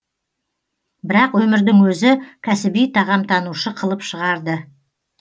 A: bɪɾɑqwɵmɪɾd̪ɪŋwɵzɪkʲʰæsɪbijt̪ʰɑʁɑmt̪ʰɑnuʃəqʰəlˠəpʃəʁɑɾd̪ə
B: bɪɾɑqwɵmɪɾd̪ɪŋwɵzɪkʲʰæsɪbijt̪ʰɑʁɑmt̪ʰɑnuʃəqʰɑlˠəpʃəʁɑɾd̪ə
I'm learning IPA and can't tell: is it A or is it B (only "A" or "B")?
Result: A